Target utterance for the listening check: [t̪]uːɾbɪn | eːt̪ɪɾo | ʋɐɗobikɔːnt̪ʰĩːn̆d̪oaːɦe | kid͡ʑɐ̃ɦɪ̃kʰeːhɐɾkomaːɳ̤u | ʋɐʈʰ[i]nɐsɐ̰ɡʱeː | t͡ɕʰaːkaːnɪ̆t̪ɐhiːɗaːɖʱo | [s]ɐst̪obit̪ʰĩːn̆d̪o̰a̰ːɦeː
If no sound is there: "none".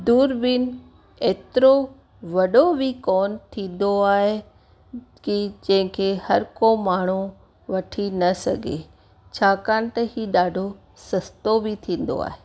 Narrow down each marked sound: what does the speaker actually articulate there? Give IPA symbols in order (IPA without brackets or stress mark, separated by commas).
d̪, i, s